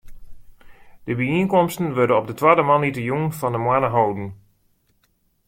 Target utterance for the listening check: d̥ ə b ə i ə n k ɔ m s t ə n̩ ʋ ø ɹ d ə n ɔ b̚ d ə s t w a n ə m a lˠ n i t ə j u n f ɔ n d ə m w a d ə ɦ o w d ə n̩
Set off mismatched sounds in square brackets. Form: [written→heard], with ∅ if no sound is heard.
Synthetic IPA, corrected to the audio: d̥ ə b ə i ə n k ɔ m s t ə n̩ ʋ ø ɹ d ə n ɔ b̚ d ə [s→∅] t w a [n→d] ə m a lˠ n i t ə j u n f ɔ n d ə m w a [d→n] ə ɦ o w d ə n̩

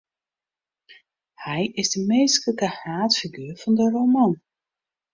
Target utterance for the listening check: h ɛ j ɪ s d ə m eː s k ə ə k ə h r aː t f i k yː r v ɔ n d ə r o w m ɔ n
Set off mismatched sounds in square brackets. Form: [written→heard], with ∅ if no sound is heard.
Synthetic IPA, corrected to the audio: h ɛ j ɪ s d ə m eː s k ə ə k ə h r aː t f i [k→ɡ] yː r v ɔ n d ə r o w m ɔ n

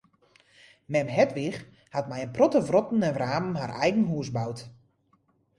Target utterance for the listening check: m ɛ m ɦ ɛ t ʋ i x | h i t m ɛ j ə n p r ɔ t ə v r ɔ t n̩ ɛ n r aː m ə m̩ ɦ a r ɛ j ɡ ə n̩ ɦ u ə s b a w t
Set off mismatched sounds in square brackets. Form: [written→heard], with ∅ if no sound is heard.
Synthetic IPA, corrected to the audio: m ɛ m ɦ ɛ t ʋ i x | h [i→a] t m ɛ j ə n p r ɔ t ə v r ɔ t n̩ ɛ n r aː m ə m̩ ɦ a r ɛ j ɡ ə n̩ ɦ u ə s b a w t

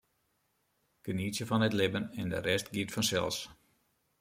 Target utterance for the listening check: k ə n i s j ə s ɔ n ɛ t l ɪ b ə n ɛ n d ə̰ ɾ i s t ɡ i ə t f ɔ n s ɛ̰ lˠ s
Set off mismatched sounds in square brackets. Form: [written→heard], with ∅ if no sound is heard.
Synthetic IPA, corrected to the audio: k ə n i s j ə [s→f] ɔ n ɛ t l ɪ b ə n ɛ n d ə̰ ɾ [i→ɛ] s t ɡ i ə t f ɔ n s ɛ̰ lˠ s

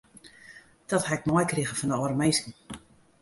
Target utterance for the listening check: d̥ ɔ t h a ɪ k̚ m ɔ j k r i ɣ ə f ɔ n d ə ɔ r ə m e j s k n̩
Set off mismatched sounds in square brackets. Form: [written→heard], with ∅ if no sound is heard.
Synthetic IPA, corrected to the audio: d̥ ɔ t h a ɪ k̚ m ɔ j k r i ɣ ə f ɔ n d ə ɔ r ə m e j s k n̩

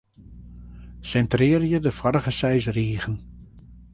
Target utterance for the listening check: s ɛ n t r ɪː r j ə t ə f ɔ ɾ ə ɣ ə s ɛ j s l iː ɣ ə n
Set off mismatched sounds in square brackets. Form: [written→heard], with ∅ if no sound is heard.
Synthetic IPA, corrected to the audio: s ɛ n t r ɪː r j ə [t→d] ə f ɔ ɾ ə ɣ ə s ɛ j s [l→r] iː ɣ ə n

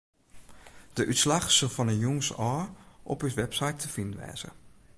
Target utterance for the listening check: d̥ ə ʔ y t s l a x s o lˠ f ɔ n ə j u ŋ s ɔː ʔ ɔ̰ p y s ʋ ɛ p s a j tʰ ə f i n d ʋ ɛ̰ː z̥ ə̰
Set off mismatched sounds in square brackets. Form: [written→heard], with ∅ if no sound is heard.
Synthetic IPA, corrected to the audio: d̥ ə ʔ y t s l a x s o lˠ f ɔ n ə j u ŋ s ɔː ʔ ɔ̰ p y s ʋ ɛ p s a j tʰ ə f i n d ʋ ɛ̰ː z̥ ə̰

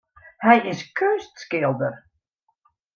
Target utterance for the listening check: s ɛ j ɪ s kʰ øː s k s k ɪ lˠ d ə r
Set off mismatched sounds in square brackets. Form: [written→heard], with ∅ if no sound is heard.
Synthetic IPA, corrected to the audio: [s→h] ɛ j ɪ s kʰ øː s [k→t] s k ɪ lˠ d ə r

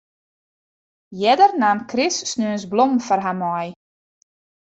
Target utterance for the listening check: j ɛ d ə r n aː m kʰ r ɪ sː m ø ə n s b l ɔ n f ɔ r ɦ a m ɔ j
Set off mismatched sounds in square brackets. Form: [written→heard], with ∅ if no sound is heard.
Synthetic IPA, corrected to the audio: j ɛ d ə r n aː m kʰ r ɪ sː [m→n] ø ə n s b l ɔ [n→m] f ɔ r ɦ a m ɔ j

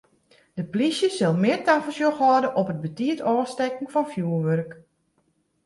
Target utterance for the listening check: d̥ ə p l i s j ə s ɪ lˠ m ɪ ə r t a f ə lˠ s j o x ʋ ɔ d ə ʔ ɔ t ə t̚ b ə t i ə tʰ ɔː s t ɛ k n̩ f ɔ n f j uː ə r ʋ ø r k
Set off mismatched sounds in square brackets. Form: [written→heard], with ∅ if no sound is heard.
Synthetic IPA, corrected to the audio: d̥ ə p l i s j ə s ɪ lˠ m ɪ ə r t a f ə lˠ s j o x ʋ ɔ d ə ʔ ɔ [t→p] ə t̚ b ə t i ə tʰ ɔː s t ɛ k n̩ f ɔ n f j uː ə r ʋ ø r k

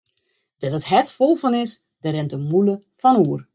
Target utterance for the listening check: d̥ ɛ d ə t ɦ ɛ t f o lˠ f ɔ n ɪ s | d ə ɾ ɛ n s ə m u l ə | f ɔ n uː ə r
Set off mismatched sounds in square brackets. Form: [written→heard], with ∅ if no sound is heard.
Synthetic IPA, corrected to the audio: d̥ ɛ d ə t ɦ ɛ t f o lˠ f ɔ n ɪ s | d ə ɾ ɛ n [s→t] ə m u l ə | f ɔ n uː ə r

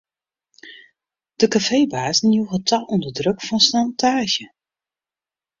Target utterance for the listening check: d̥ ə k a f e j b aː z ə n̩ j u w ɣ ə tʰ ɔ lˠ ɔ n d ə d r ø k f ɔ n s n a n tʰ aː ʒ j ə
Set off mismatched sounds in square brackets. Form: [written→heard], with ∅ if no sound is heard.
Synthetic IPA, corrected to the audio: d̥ ə k a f e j b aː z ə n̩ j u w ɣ ə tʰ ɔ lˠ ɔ n d ə d r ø k f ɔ n s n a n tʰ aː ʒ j ə

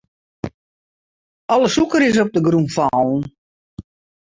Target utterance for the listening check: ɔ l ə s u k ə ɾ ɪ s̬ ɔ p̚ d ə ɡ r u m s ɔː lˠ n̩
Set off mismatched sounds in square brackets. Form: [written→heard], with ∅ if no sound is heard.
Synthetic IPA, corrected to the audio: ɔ l ə s u k ə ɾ ɪ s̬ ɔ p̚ d ə ɡ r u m [s→f] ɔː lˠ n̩

